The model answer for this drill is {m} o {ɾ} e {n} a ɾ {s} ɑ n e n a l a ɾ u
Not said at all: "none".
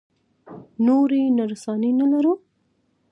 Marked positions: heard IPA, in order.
n, ɾ, n, s

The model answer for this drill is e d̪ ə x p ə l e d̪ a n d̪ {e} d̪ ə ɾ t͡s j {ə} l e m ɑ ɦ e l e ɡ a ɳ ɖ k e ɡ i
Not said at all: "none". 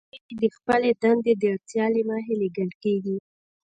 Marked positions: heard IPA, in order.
e, ɑ

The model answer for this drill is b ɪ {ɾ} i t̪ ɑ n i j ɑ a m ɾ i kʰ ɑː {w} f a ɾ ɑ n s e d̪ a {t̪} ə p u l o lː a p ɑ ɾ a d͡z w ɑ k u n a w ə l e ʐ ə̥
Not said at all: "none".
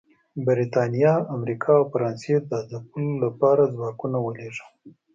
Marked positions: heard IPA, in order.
ɾ, w, d̪

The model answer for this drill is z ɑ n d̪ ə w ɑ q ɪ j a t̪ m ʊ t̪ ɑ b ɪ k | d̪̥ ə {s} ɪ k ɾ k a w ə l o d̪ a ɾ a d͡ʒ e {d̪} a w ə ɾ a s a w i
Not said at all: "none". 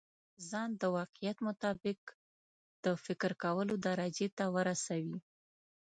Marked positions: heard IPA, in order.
f, t̪

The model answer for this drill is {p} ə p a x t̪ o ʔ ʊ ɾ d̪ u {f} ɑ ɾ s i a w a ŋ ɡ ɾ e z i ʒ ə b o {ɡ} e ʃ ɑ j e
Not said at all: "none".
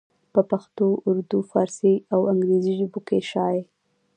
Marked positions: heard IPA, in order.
p, f, k

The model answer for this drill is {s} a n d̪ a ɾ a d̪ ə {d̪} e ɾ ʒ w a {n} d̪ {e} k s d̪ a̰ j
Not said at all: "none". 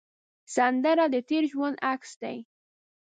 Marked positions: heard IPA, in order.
s, t̪, n, a

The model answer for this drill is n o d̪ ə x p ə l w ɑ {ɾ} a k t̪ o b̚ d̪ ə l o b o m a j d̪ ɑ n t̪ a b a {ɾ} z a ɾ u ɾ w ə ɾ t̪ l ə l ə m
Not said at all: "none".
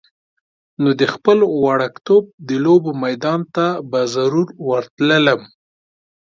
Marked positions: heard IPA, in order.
ɽ, none

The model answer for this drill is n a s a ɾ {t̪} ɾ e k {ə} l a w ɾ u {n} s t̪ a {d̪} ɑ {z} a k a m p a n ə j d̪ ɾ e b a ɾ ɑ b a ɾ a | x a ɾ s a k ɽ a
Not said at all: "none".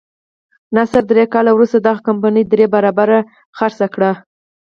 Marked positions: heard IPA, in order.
d̪, ɑ, none, d̪, ɣ

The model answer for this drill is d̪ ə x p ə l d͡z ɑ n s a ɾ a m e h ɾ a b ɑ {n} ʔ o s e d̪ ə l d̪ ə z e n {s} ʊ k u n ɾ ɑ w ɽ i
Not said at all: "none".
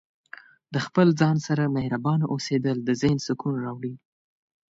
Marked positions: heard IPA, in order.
n, s

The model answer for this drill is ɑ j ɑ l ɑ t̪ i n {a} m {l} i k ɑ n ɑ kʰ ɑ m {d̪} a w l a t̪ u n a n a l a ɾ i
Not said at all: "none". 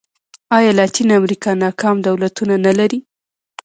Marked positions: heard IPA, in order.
a, ɾ, d̪

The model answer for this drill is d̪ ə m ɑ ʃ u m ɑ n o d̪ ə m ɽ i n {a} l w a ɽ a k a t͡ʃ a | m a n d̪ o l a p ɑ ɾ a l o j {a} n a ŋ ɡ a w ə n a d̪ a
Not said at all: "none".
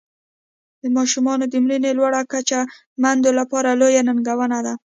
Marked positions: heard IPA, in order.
e, a

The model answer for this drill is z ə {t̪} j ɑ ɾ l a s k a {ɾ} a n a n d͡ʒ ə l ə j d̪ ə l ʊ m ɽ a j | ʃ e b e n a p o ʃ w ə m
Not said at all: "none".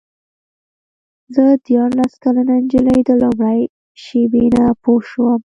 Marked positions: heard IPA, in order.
d̪, l

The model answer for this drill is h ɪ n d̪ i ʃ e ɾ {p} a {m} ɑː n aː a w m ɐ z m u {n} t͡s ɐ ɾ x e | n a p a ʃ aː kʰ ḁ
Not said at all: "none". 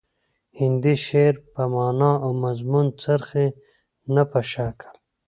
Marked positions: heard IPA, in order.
p, m, n

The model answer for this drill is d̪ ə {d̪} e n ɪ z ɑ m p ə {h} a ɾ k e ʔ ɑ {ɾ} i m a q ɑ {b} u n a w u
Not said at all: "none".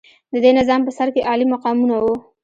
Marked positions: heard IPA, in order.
d̪, s, l, m

